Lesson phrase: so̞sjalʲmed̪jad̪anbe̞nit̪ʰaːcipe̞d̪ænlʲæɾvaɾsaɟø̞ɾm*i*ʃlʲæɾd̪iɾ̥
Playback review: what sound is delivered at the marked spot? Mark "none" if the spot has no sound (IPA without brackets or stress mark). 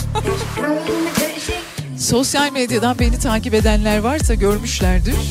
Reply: y